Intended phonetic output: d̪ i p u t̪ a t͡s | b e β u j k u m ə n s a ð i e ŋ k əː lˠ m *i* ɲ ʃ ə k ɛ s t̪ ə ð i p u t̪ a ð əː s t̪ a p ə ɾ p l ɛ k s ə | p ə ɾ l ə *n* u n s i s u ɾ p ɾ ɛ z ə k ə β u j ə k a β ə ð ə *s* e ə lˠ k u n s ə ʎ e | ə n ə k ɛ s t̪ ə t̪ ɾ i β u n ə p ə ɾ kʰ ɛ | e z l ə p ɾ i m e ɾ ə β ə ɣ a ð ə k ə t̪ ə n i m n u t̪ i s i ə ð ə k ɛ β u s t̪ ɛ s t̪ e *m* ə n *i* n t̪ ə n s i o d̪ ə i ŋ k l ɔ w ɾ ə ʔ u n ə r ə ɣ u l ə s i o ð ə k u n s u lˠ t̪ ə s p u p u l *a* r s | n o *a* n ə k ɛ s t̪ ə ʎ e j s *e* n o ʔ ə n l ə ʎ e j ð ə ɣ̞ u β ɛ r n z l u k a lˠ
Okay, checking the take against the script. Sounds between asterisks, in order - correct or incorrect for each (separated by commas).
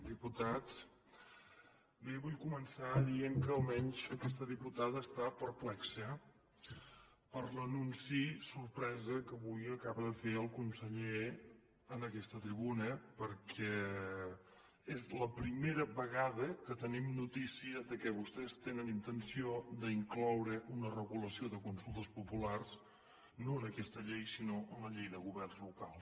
incorrect, correct, incorrect, incorrect, correct, correct, incorrect, incorrect